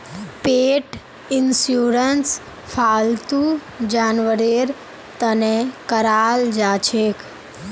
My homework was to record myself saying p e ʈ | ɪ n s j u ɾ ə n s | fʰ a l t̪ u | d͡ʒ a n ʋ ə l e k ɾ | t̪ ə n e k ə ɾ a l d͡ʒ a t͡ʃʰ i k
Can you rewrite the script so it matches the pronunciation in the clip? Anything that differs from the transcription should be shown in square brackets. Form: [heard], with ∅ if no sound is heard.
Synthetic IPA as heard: p e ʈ | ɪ n s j u ɾ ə n s | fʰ a l t̪ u | d͡ʒ a n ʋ ə [ɾ] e [∅] ɾ | t̪ ə n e k ə ɾ a l d͡ʒ a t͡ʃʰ [e] k